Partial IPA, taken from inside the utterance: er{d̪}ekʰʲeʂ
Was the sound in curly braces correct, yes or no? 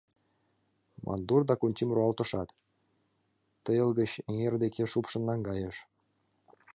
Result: yes